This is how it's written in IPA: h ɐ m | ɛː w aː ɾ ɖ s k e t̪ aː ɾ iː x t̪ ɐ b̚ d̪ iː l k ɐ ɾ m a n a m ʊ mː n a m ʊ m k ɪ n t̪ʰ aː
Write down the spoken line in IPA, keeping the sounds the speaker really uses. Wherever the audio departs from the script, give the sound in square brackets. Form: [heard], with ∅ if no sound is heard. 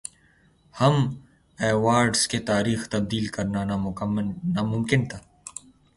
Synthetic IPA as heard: h ɐ m | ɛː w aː ɾ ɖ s k e t̪ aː ɾ iː x t̪ ɐ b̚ d̪ iː l k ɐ ɾ [n] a n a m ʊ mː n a m ʊ m k ɪ n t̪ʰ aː

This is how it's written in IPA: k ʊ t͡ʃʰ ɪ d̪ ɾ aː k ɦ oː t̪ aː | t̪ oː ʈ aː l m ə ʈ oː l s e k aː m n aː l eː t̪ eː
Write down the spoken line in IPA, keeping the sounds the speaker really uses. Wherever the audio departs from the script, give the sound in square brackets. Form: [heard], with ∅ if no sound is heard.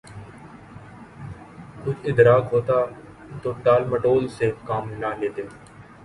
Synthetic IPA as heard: k ʊ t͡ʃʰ ɪ d̪ ɾ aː k ɦ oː t̪ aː | t̪ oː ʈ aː l m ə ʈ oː l s e k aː m n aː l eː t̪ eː

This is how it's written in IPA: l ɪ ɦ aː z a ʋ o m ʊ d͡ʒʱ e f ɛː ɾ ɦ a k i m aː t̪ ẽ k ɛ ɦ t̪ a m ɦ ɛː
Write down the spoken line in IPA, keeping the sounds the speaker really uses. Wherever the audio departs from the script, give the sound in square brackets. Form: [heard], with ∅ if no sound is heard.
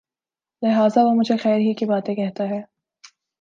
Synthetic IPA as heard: l ɪ ɦ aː z a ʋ o m ʊ d͡ʒʱ e [x] ɛː ɾ ɦ [i] k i [b] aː t̪ ẽ k ɛ ɦ t̪ a [∅] ɦ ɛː

